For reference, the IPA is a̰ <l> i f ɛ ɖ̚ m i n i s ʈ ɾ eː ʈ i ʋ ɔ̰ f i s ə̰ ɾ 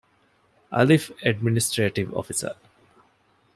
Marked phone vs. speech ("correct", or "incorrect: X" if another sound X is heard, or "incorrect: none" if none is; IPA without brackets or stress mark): correct